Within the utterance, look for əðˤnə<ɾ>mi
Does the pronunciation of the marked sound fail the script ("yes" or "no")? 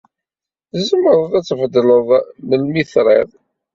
yes